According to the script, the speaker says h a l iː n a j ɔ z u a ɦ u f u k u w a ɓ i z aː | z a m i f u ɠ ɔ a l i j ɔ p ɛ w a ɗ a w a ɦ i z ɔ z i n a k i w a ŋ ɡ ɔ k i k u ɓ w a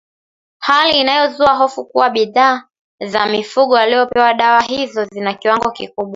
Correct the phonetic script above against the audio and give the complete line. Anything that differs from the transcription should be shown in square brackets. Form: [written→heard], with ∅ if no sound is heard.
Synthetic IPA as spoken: h a l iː n a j ɔ z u a ɦ [u→ɔ] f u k u w a ɓ i [z→ð] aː | z a m i f u ɠ ɔ a l i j ɔ p ɛ w a ɗ a w a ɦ i z ɔ z i n a k i w a ŋ ɡ ɔ k i k u ɓ w a